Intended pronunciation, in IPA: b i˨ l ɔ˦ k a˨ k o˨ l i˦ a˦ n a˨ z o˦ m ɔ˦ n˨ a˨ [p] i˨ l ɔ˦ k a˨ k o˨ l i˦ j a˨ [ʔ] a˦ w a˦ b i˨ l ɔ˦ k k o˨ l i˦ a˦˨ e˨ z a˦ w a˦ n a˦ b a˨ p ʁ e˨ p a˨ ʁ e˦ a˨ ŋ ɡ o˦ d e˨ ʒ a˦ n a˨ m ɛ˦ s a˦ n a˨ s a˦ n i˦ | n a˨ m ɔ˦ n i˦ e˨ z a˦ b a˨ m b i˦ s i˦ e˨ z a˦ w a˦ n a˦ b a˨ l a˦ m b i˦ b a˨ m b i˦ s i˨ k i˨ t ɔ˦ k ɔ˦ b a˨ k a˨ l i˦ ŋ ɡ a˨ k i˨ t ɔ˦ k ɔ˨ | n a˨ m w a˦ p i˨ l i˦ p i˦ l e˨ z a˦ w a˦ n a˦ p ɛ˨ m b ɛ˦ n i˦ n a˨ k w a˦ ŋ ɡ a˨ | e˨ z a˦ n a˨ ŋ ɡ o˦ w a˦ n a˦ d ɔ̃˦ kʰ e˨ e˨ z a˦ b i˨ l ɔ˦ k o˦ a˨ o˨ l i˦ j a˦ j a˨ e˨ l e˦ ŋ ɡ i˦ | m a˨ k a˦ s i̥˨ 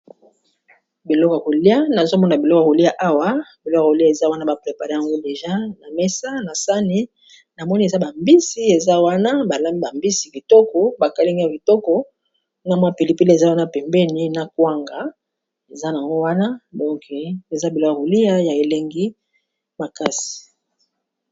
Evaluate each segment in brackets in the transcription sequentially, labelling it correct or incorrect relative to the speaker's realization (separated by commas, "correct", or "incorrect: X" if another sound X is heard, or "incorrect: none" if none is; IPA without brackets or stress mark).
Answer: incorrect: b, correct